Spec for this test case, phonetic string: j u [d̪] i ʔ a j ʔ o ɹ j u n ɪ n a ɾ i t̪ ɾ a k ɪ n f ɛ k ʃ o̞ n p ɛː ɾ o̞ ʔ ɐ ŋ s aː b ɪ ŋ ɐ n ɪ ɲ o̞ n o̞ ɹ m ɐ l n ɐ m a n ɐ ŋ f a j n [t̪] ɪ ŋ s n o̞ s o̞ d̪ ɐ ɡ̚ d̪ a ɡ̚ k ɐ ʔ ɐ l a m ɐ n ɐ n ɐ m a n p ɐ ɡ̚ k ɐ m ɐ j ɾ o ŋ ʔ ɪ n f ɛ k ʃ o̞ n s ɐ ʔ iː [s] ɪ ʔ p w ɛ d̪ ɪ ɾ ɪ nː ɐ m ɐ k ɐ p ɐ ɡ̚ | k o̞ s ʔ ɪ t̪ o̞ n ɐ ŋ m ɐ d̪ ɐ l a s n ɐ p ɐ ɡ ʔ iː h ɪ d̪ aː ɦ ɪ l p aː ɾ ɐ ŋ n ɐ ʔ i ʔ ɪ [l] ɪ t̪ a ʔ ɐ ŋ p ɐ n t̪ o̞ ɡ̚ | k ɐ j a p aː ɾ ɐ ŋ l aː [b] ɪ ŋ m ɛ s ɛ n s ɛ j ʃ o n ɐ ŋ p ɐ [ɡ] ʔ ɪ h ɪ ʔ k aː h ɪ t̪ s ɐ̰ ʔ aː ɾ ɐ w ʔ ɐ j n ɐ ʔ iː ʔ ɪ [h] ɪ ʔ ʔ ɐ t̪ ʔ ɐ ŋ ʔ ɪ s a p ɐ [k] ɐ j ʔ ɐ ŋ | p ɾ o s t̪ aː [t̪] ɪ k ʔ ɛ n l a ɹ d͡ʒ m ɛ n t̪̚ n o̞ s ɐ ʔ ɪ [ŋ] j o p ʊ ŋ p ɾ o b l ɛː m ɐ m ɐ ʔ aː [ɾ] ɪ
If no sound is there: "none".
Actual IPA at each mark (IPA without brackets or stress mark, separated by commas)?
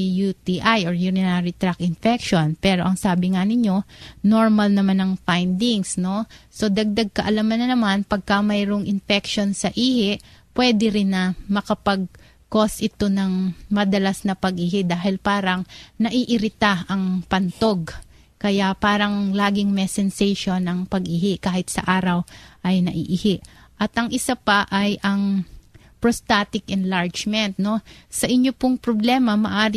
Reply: t̪, d̪, h, ɾ, ɡ, ɡ, h, ʔ, t̪, ɲ, ɾ